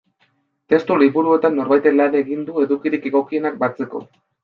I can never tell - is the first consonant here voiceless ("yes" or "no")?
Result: yes